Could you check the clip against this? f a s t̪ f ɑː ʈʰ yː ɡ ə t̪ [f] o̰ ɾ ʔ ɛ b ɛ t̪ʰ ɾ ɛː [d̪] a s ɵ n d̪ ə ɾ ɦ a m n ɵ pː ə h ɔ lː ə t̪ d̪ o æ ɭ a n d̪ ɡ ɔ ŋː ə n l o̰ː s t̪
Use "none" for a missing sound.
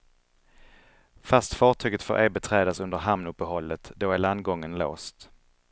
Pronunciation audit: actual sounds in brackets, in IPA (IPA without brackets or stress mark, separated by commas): f, d̪